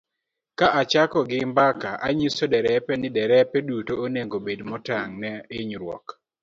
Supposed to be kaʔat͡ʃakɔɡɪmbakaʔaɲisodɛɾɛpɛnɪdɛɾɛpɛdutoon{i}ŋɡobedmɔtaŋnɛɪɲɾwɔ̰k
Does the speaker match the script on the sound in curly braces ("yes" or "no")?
no